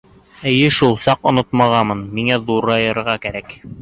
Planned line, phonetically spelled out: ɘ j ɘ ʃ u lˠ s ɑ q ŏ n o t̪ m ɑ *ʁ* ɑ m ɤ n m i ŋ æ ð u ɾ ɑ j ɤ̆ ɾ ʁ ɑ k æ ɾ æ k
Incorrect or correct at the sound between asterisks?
correct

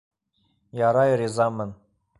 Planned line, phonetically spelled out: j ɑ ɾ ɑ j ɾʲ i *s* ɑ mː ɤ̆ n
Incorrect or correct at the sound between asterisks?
incorrect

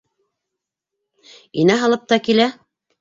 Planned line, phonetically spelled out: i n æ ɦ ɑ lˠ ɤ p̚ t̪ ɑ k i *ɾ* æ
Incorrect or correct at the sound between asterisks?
incorrect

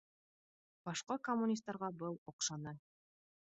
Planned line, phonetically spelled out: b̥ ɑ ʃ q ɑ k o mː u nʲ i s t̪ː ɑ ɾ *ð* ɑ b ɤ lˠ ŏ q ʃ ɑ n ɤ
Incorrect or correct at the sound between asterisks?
incorrect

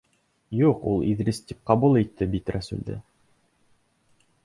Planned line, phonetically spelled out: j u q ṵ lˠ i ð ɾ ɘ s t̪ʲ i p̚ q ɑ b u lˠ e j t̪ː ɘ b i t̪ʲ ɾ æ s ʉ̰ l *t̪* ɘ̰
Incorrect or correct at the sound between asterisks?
incorrect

